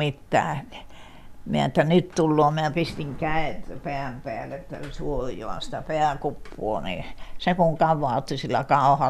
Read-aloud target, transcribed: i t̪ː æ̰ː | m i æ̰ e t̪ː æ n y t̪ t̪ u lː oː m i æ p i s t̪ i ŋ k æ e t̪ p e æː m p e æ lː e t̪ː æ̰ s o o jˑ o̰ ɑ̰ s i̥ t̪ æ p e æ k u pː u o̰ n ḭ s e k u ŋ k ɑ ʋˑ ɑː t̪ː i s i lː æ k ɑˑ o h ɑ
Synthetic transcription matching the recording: i t̪ː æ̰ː | m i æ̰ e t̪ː æ n y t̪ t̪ u lː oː m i æ p i s t̪ i ŋ k æ e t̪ p e æ m p e æ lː e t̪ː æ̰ s u o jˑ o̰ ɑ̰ s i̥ t̪ æ p e æ k u pː u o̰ n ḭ s e k u ŋ k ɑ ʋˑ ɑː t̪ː i s i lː æ k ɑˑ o h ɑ